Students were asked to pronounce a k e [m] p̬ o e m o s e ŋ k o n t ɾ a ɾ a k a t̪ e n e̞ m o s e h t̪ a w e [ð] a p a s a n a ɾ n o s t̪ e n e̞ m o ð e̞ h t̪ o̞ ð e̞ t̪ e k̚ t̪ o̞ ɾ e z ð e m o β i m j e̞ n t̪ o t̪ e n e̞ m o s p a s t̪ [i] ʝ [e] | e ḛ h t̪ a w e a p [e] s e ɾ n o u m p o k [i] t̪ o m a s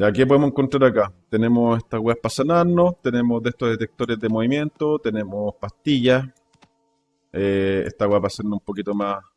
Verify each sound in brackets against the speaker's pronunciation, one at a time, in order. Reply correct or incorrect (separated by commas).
incorrect, incorrect, correct, incorrect, incorrect, correct